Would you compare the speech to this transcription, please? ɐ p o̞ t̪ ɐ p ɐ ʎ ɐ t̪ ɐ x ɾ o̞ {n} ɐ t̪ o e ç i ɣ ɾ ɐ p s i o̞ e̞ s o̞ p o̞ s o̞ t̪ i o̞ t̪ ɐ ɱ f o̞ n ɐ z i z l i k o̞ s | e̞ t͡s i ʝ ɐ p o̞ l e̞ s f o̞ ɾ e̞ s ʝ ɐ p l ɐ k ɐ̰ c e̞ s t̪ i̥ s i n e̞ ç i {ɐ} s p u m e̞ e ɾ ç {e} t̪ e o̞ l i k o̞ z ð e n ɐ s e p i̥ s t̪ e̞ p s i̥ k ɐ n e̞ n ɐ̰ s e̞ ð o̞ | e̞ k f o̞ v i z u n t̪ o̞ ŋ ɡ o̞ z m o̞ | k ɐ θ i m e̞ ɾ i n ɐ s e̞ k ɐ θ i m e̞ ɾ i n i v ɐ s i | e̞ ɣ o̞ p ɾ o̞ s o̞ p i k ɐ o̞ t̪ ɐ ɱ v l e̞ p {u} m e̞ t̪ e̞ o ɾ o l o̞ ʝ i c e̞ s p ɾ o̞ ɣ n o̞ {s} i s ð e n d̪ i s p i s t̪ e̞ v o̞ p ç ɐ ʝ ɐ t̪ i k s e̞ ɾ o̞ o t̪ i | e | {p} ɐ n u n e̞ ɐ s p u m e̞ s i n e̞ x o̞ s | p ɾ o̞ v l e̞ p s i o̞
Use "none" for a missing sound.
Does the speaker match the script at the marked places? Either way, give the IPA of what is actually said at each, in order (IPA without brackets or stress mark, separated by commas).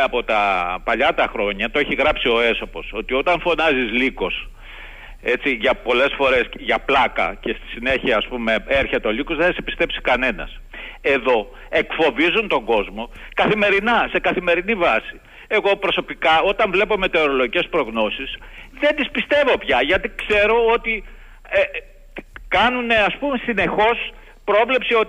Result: ɲ, ɐː, e, o, s, k